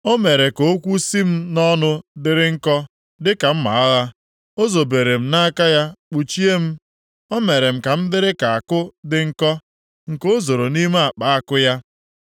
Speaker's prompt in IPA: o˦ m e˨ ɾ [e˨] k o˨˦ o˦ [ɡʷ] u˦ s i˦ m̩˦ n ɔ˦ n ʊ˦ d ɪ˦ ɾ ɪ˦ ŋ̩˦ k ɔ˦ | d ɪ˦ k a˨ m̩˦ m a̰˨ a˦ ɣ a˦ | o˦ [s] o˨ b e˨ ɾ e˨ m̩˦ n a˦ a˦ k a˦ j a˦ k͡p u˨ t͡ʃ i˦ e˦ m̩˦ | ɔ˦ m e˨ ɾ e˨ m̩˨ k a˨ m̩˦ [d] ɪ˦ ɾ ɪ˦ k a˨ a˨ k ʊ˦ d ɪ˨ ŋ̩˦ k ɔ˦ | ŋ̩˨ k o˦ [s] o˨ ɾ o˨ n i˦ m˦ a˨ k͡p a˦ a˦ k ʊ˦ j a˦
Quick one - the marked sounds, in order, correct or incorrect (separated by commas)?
correct, incorrect, incorrect, correct, incorrect